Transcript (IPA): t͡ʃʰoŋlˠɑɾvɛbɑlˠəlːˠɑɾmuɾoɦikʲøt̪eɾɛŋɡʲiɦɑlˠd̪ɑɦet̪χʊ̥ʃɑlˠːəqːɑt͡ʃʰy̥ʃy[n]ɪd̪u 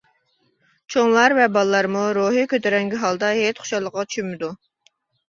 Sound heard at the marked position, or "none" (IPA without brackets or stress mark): m